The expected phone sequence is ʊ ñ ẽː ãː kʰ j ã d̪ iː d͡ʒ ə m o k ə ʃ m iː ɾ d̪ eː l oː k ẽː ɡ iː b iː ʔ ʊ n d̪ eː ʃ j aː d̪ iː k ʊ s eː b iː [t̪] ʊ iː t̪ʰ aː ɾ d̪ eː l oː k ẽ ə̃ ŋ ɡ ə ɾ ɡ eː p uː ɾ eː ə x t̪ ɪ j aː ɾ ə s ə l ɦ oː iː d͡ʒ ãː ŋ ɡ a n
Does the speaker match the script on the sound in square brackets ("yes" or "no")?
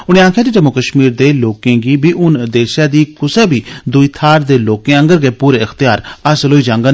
no